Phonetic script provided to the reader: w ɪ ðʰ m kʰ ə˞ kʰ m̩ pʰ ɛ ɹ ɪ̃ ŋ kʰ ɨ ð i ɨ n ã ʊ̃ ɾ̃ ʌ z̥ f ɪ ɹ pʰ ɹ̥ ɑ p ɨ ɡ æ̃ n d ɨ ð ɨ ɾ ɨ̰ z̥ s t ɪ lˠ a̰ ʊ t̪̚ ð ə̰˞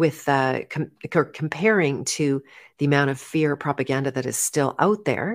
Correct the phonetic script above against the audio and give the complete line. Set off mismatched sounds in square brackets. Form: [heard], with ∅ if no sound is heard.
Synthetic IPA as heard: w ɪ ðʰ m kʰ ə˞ kʰ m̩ pʰ ɛ ɹ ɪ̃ ŋ [tʰ] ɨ ð i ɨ [m] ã ʊ̃ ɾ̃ ʌ [v̥] f ɪ ɹ pʰ ɹ̥ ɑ p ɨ ɡ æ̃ n d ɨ ð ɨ ɾ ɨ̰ z̥ s t ɪ lˠ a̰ ʊ t̪̚ ð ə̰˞